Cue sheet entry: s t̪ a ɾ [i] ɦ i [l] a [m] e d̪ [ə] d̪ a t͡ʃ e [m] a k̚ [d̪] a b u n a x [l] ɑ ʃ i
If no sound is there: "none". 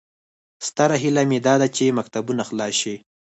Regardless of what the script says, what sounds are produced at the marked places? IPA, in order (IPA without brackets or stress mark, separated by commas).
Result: a, l, m, ɑ, m, t̪, l